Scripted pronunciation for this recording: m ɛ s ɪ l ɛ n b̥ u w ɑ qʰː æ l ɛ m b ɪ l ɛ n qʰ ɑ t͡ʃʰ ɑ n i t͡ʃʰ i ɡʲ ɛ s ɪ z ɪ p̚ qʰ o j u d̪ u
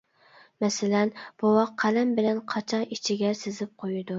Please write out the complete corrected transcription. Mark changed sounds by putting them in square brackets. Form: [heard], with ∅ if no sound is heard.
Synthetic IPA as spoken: m ɛ s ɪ l ɛ n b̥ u w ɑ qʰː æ l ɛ m b ɪ l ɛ n qʰ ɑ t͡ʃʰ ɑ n i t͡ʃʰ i ɡʲ ɛ s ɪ z ɪ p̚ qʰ o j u d̪ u